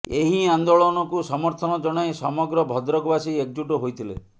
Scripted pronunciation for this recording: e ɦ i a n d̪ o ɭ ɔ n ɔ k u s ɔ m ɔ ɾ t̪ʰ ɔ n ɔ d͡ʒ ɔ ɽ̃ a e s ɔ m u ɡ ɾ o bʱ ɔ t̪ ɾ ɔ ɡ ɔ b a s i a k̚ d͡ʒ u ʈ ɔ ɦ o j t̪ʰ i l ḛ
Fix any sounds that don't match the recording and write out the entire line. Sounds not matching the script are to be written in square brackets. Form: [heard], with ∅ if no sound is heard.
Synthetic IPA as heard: e ɦ i a n d̪ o ɭ ɔ n ɔ k u s ɔ m ɔ ɾ t̪ʰ ɔ n ɔ d͡ʒ ɔ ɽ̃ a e s ɔ m [ɔ] ɡ ɾ [ɔ] bʱ ɔ [d̪] ɾ ɔ ɡ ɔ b a s i [e] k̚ d͡ʒ u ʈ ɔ ɦ o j t̪ʰ i l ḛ